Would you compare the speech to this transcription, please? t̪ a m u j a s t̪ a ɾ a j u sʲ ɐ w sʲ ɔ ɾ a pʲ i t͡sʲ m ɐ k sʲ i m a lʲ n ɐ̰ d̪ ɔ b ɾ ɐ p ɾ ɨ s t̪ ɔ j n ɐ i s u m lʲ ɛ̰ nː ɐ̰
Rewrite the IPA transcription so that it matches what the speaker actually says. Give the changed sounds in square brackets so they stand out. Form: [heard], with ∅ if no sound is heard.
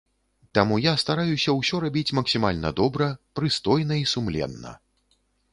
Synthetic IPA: t̪ a m u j a s t̪ a ɾ a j u sʲ ɐ w sʲ ɔ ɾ a [bʲ] i t͡sʲ m ɐ k sʲ i m a lʲ n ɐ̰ d̪ ɔ b ɾ ɐ p ɾ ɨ s t̪ ɔ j n ɐ i s u m lʲ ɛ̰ nː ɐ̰